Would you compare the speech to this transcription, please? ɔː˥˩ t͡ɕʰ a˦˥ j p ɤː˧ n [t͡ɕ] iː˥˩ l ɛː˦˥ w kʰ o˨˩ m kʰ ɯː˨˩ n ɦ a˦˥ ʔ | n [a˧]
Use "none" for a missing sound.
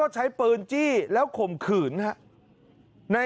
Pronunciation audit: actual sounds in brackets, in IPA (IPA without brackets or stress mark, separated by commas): t͡ɕ, a˧